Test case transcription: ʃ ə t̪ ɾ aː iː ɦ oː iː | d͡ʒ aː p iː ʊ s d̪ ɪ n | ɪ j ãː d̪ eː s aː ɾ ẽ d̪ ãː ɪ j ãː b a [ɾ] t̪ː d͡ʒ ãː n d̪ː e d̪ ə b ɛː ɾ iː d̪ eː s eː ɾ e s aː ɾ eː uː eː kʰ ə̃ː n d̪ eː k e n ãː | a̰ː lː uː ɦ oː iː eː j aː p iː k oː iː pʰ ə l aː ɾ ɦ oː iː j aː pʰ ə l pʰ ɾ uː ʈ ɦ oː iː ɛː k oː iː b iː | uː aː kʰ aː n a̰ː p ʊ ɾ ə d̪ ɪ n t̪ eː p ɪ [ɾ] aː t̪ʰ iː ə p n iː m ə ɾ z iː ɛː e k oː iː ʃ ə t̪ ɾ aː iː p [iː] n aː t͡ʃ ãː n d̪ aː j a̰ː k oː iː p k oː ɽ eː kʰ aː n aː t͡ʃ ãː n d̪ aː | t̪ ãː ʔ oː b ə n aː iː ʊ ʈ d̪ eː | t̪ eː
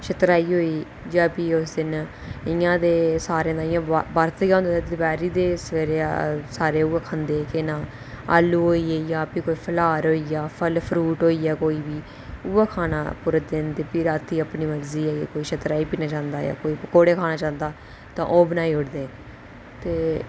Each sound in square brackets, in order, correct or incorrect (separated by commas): correct, correct, correct